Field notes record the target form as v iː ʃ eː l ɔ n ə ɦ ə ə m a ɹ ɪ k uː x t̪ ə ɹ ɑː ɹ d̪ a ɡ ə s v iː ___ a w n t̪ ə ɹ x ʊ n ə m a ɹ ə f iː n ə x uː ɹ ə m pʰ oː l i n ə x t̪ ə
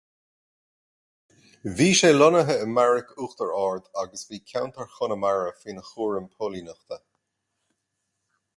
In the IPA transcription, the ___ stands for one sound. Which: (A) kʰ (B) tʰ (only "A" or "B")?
A